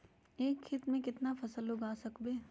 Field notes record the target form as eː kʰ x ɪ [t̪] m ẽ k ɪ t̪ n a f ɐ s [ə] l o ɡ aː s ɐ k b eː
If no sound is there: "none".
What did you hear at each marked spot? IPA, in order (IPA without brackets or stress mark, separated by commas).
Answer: t̪, ə